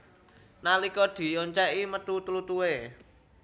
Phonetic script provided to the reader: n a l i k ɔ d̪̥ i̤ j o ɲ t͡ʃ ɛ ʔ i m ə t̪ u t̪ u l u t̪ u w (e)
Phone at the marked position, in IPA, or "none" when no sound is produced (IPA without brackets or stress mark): e